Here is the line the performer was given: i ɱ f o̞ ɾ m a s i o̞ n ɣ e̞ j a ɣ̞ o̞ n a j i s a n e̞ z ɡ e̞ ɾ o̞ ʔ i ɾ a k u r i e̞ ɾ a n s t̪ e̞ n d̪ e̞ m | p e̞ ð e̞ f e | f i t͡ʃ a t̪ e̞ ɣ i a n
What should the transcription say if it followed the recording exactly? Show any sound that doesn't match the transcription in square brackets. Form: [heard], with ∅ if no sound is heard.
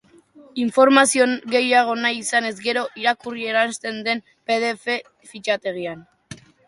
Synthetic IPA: i ɱ f o̞ ɾ m a s i o̞ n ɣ e̞ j a ɣ̞ o̞ n a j i s a n e̞ z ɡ e̞ ɾ o̞ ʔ i ɾ a k u r i e̞ ɾ a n s t̪ e̞ n d̪ e̞ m | p e̞ ð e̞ f e | f i t͡ʃ a t̪ e̞ ɣ i a n